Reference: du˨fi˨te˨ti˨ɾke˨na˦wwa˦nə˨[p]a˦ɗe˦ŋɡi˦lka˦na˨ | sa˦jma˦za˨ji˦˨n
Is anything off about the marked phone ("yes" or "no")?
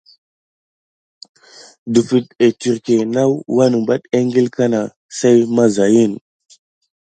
yes